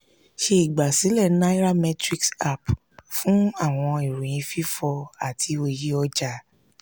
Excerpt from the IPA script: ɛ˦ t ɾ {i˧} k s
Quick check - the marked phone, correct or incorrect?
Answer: correct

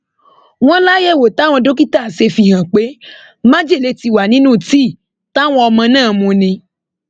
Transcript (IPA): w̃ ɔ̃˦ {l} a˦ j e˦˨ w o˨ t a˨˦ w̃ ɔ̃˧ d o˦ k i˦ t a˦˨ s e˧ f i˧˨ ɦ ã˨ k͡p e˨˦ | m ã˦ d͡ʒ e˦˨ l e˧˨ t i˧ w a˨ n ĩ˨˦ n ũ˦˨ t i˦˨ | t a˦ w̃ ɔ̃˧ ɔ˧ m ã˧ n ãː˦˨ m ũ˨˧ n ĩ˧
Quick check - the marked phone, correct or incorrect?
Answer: correct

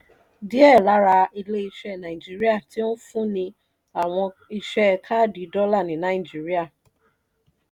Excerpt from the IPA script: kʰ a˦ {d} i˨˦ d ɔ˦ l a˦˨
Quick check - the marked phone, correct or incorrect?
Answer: correct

